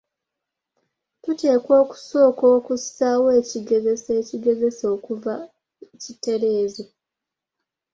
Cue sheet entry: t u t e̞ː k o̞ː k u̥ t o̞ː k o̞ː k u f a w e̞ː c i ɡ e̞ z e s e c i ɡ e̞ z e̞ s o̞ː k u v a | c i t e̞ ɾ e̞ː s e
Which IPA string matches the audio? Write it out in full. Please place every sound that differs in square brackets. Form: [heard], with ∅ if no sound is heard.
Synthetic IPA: t u t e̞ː k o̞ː k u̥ [s] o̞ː k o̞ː k u [s] a w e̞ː c i ɡ e̞ z e s e c i ɡ e̞ z e̞ s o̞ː k u v a | c i t e̞ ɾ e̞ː [z] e